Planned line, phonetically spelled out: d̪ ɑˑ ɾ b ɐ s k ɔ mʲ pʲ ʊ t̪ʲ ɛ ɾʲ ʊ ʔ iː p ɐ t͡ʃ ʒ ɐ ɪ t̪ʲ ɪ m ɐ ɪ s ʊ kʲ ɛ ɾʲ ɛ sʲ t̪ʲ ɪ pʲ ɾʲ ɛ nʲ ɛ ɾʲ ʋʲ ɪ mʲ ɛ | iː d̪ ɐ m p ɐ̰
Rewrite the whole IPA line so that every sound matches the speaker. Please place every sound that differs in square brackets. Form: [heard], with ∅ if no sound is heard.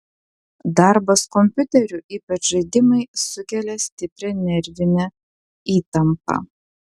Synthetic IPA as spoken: d̪ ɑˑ ɾ b ɐ s k ɔ mʲ pʲ ʊ t̪ʲ ɛ ɾʲ ʊ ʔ iː p ɐ t͡ʃ ʒ ɐ ɪ [d̪ʲ] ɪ m ɐ ɪ s ʊ kʲ ɛ [lʲ] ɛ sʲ t̪ʲ ɪ pʲ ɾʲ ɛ nʲ ɛ ɾʲ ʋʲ ɪ [nʲ] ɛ | iː [t̪] ɐ m p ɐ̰